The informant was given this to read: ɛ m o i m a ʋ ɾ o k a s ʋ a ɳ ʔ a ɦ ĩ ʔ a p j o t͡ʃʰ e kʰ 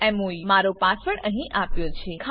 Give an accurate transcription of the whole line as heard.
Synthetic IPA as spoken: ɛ m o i m a ɾ o p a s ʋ ə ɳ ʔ ə ɦ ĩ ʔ a p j o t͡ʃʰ e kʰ

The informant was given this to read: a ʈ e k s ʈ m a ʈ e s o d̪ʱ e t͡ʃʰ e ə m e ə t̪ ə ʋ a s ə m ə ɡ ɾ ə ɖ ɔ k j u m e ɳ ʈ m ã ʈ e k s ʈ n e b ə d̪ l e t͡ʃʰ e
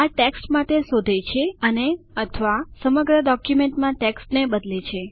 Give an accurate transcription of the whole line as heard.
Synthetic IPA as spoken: a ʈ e k s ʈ m a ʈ e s o d̪ʱ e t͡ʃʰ e ə n e ə t̪ʰ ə ʋ a s ə m ə ɡ ɾ ə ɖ ɔ k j u m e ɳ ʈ m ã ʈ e k s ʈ n e b ə d̪ l e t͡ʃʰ e

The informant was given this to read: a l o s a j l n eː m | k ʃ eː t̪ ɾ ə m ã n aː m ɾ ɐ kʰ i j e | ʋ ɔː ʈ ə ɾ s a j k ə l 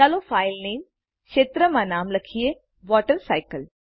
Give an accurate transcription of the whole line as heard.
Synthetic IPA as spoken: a l o f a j l n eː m | k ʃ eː t̪ ɾ ə m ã n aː m l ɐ kʰ i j e | ʋ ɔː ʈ ə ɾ s a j k ə l

